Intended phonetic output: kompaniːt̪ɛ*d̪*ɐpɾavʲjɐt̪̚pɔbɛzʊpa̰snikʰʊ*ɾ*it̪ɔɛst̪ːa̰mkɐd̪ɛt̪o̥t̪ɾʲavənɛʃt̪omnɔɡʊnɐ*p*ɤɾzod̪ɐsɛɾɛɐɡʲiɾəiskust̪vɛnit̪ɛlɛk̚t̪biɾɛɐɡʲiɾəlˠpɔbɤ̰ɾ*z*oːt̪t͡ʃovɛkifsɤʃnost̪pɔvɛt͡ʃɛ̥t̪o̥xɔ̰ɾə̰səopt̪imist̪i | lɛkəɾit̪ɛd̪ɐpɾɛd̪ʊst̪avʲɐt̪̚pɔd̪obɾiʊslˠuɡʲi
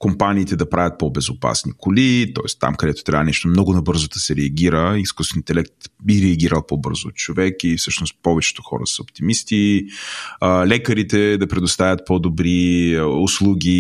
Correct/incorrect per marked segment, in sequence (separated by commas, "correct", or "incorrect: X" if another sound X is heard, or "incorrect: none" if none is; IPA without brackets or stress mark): correct, incorrect: l, incorrect: b, correct